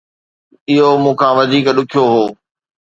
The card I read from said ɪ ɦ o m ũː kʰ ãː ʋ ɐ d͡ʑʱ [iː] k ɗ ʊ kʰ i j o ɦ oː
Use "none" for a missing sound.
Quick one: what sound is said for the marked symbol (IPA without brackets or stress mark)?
iː